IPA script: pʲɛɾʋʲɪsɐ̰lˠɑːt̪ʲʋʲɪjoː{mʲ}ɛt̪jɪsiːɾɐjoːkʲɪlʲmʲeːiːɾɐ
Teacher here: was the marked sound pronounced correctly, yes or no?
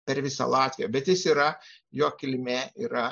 no